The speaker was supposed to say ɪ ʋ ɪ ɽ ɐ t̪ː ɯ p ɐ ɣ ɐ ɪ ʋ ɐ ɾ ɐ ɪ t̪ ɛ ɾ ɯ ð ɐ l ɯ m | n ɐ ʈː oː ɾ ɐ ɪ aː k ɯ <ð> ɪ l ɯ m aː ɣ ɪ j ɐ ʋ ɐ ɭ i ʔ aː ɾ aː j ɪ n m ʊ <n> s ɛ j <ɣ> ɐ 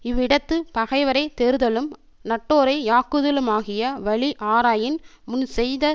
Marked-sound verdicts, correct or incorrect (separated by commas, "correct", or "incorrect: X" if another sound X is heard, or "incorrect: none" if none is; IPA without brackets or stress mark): correct, correct, incorrect: ð